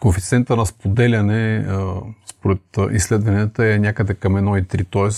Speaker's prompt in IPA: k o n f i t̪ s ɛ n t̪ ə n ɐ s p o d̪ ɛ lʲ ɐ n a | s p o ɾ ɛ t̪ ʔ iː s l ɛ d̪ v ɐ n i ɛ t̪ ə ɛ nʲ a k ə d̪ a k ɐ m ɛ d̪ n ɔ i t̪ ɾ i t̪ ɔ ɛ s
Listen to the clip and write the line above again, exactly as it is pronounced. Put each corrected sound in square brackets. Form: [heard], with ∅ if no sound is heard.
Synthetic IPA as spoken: k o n f i t̪ s ɛ n t̪ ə n ɐ s p o d̪ ɛ lʲ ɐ n [ɛ] | s p o ɾ ɛ t̪ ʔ [i] s l ɛ d̪ v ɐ n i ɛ t̪ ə ɛ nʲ a k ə d̪ [ɛ] k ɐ m ɛ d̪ n ɔ i t̪ ɾ i t̪ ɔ ɛ s